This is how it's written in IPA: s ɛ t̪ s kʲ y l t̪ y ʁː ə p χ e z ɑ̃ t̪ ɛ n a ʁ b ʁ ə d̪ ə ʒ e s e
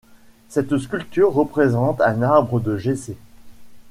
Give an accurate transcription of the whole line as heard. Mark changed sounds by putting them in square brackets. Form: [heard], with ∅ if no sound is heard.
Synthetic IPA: s ɛ t̪ s kʲ y l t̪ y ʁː ə p χ e z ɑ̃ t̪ [ɛ̃] n a ʁ b ʁ ə d̪ ə ʒ e s e